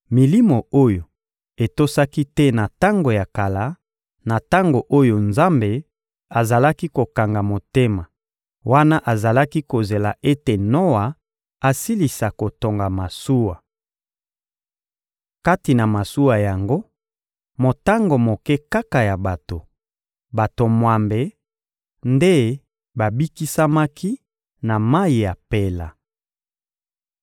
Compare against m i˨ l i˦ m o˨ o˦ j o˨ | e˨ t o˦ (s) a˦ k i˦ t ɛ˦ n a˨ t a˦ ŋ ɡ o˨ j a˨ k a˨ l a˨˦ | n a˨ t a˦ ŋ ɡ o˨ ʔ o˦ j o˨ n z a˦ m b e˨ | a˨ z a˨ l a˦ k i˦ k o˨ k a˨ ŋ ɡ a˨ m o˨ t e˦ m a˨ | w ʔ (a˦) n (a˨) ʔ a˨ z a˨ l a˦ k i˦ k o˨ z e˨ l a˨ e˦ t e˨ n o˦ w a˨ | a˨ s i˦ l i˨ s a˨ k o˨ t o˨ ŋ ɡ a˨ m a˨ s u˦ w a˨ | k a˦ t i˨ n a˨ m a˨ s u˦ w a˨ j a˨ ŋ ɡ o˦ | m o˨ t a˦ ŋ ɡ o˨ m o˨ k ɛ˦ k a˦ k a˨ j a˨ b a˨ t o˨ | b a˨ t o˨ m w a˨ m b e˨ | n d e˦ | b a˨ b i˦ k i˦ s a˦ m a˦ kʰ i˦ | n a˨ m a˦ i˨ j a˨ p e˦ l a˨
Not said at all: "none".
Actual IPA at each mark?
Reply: s, a˦, a˦

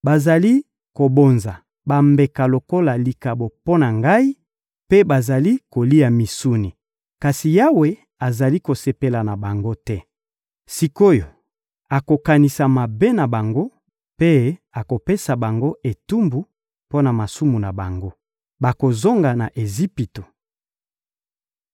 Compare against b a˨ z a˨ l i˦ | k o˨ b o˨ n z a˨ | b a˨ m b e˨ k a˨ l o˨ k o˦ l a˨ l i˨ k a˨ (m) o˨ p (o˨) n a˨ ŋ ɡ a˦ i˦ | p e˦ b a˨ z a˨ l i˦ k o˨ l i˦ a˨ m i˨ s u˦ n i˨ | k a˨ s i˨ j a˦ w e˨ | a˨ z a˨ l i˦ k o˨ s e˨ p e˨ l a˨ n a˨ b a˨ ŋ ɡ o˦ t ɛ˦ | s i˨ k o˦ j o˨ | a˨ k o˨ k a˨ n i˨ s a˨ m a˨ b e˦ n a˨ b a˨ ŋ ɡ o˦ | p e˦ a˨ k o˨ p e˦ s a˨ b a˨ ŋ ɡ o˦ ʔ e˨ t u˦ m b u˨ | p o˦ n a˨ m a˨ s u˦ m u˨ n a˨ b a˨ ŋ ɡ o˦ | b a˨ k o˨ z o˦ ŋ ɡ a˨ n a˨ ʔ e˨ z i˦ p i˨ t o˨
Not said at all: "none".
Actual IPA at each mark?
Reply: b, o˦

